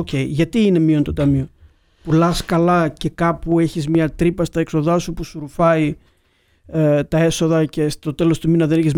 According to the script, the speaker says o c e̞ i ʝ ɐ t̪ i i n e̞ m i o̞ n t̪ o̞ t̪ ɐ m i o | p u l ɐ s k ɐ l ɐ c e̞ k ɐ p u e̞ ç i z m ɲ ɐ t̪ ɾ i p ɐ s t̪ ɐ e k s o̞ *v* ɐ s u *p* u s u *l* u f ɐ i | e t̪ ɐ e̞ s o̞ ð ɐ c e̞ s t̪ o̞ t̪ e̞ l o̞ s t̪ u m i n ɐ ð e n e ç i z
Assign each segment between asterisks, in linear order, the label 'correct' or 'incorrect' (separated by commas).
incorrect, correct, incorrect